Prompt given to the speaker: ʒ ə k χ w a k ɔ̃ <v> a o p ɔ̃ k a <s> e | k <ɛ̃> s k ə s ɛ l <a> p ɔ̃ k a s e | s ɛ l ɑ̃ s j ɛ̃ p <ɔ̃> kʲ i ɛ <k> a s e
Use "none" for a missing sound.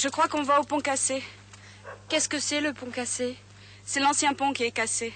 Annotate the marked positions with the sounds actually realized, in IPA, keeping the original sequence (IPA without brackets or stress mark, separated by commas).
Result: v, s, ɛ, ə, ɔ̃, k